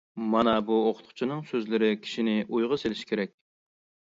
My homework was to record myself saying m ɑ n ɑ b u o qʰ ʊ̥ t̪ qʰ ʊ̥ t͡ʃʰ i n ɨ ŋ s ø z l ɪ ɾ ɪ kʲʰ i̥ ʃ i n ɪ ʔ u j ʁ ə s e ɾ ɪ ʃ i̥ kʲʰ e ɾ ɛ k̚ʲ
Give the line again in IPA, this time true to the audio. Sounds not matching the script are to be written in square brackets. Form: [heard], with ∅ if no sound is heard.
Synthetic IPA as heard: m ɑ n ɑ b u o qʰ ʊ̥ t̪ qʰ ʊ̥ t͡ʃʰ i n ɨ ŋ s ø z l ɪ ɾ ɪ kʲʰ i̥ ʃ i n ɪ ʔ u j ʁ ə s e [l] ɪ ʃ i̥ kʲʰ e ɾ ɛ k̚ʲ